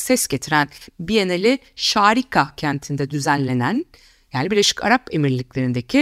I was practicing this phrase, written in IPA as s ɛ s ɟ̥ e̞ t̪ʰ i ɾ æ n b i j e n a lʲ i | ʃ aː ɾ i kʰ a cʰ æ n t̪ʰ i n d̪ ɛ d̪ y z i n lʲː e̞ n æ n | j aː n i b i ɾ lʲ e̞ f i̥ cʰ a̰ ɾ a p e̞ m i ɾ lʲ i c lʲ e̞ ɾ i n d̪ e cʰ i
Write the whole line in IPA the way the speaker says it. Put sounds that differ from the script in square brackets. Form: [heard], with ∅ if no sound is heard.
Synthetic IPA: s ɛ s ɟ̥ e̞ t̪ʰ i ɾ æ n b i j e n [e] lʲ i | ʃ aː ɾ i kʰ a cʰ æ n t̪ʰ i n d̪ ɛ d̪ y z [æ] n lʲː e̞ n æ n | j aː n i b i ɾ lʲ e̞ [ʃ] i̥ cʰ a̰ ɾ a p e̞ m i ɾ lʲ i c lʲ e̞ ɾ i n d̪ e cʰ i